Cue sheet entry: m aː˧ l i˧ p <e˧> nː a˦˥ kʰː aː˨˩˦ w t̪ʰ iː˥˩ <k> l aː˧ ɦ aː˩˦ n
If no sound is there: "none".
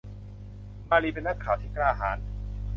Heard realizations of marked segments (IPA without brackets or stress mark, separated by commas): e˧, k